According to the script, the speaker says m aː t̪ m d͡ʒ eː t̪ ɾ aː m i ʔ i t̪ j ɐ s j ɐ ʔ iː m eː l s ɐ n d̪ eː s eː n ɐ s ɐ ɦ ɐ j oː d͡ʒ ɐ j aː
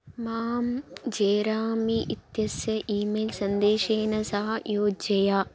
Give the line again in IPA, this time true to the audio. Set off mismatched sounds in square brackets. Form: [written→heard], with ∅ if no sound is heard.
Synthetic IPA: m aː [t̪→∅] m d͡ʒ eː [t̪→∅] ɾ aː m i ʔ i t̪ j ɐ s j ɐ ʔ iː m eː l s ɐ n d̪ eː [s→ʃ] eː n ɐ s ɐ ɦ ɐ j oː d͡ʒ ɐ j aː

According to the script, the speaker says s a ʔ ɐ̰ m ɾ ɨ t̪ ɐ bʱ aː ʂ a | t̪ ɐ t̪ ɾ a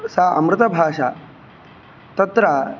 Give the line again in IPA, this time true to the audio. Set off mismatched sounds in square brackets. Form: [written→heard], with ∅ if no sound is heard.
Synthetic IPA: s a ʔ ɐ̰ m ɾ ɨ t̪ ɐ bʱ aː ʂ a | t̪ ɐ t̪ ɾ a

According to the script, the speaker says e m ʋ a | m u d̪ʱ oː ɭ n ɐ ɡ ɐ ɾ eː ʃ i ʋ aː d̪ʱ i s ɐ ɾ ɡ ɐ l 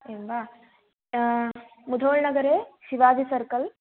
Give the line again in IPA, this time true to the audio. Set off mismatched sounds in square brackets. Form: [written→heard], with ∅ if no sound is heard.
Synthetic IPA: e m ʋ a | m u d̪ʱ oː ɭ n ɐ ɡ ɐ ɾ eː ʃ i ʋ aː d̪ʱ i s ɐ ɾ [ɡ→k] ɐ l

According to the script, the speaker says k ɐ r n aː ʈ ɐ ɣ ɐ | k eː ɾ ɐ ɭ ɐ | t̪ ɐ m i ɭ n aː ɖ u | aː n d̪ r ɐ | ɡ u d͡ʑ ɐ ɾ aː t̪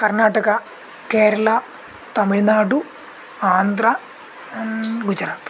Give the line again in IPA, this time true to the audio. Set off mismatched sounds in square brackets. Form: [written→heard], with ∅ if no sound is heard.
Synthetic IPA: k ɐ r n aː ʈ ɐ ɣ ɐ | k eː ɾ ɐ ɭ ɐ | t̪ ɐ m i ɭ n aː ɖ u | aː n d̪ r ɐ | ɡ u d͡ʑ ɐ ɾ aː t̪

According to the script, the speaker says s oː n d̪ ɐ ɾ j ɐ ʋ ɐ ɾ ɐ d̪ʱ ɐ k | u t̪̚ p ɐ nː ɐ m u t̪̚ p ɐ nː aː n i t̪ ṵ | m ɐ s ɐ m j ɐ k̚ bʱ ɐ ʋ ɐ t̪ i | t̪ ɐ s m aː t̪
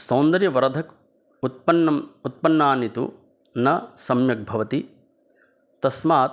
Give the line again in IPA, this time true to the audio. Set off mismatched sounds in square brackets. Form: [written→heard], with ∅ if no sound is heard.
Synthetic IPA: s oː n d̪ ɐ ɾ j ɐ ʋ ɐ ɾ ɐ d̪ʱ ɐ k | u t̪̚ p ɐ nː ɐ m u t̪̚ p ɐ nː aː n i t̪ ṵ | [m→n] ɐ s ɐ m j ɐ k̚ bʱ ɐ ʋ ɐ t̪ i | t̪ ɐ s m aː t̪

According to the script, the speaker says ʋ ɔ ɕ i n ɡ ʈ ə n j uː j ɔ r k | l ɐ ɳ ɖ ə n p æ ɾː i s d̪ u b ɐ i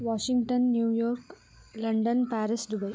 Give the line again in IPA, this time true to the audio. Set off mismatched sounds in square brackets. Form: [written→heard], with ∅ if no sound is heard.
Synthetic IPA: ʋ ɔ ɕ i [n→ŋ] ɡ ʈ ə [n→nː] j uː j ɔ [r→ɾ] k | l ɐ ɳ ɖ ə n p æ [ɾː→ɾ] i s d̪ u b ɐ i

